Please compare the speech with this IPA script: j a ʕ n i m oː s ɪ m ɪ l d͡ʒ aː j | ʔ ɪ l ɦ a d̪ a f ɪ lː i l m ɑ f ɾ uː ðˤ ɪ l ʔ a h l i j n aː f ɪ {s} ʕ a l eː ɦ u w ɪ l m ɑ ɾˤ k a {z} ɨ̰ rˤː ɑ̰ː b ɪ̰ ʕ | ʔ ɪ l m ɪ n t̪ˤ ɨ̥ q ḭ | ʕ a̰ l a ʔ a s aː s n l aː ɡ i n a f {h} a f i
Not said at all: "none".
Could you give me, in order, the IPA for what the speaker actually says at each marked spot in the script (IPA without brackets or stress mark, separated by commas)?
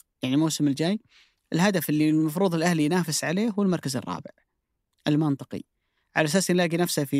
s, z, s